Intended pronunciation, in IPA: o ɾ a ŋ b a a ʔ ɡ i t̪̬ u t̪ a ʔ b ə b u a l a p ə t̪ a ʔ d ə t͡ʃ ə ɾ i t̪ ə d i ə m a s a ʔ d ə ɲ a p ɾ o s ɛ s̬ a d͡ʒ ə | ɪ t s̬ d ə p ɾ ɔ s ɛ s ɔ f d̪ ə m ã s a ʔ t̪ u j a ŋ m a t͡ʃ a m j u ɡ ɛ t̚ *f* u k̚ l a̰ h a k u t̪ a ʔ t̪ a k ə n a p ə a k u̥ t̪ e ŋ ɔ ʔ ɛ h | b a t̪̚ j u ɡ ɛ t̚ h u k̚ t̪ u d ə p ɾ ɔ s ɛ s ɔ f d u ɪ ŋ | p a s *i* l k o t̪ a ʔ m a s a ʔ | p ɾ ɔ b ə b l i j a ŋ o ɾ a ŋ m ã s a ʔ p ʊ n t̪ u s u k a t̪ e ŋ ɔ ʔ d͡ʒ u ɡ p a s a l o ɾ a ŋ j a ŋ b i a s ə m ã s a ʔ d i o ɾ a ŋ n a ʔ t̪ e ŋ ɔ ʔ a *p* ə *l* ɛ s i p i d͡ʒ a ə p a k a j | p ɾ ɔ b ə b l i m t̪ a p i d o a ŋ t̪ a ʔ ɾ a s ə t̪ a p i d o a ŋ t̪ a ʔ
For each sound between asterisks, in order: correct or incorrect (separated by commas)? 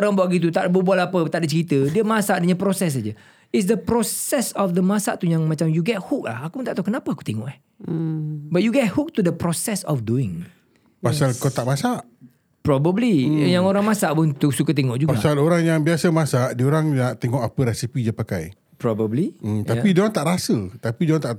incorrect, incorrect, correct, incorrect